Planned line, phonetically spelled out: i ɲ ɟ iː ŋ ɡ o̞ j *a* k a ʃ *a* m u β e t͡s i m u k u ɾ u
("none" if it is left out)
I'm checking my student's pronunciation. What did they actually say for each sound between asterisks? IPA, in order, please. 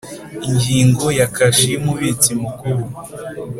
a, i

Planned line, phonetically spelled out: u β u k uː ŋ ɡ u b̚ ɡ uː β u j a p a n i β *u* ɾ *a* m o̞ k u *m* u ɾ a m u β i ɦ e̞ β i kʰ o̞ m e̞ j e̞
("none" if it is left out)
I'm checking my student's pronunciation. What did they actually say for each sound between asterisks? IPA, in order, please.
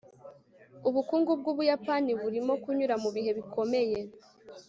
u, i, ɲ

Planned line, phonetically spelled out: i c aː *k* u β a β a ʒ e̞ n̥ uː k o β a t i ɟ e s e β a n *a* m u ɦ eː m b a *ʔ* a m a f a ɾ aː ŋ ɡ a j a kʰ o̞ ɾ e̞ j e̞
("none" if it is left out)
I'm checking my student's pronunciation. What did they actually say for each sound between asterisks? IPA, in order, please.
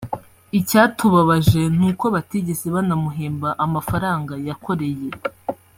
t, a, ʔ

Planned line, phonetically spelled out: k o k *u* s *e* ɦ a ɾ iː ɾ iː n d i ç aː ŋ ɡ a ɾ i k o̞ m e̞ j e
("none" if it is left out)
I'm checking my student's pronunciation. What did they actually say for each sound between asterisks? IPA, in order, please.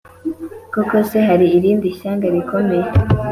o, e

